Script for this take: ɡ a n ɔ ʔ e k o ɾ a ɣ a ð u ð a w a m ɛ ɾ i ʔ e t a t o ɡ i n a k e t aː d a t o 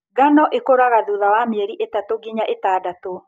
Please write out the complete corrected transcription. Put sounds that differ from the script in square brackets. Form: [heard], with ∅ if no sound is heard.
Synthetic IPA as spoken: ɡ a n ɔ ʔ e k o ɾ a ɣ a ð u ð a w a m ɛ ɾ i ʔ e t a t o ɡ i [ɲ] a [ʔ] e t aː d a t o